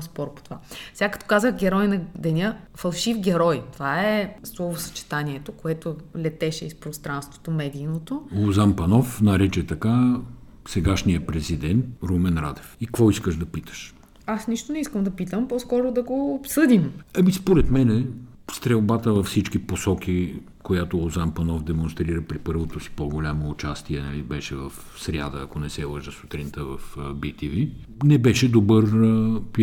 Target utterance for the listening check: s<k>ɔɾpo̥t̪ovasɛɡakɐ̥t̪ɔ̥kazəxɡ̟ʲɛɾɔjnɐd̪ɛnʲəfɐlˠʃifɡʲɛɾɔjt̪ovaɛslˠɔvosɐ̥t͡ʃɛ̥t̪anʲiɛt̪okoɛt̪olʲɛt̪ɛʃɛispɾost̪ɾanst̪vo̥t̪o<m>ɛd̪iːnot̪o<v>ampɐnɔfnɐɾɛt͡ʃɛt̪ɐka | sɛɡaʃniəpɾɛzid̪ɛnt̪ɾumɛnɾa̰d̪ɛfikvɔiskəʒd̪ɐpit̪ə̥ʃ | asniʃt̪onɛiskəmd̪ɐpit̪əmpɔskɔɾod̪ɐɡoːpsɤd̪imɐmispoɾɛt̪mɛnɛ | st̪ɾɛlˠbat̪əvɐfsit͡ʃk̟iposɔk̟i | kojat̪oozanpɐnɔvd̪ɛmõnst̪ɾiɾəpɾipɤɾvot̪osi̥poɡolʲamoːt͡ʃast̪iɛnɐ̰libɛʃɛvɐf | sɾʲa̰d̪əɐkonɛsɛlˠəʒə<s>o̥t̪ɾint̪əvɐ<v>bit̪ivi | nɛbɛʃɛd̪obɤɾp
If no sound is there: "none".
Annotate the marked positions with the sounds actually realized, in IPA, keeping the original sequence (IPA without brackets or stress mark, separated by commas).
p, m, z, s, f